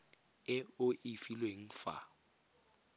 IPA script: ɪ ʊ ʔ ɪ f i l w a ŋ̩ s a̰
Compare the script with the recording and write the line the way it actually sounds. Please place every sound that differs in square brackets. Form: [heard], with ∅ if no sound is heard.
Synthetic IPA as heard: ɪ ʊ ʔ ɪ f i l w [e] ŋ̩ [f] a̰